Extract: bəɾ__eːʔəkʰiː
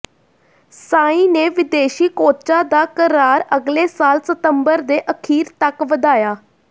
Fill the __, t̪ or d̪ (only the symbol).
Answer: d̪